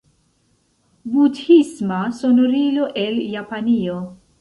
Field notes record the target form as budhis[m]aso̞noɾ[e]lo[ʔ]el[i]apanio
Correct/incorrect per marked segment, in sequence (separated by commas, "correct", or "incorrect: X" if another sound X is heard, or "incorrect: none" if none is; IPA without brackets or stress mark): correct, incorrect: i, correct, incorrect: j